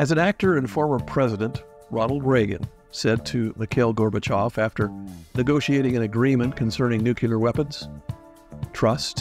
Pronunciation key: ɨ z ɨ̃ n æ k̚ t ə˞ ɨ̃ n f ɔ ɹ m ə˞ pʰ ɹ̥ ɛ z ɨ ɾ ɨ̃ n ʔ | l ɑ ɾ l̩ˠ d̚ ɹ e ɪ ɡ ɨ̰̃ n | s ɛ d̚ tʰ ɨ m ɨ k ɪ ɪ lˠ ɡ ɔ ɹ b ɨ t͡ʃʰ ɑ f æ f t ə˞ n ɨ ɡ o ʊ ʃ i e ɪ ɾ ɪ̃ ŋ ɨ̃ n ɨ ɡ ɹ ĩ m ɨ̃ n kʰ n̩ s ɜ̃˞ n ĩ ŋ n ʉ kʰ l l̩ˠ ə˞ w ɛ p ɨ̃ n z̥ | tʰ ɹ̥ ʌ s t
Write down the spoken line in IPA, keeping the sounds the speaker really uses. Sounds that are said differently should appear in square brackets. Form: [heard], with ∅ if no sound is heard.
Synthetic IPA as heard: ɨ z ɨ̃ n æ k̚ t ə˞ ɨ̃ n f ɔ ɹ m ə˞ pʰ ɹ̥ ɛ z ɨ ɾ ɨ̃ n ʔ | [ɹ] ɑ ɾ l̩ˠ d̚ ɹ e ɪ ɡ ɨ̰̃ n | s ɛ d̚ tʰ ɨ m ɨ [kʰ] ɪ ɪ lˠ ɡ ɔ ɹ b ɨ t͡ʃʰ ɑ f æ f t ə˞ n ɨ ɡ o ʊ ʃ i e ɪ ɾ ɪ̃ ŋ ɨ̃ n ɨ ɡ ɹ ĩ m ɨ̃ n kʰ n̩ s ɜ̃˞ n [ɪ̃] ŋ n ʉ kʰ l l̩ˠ ə˞ w ɛ p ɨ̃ n z̥ | tʰ ɹ̥ ʌ s t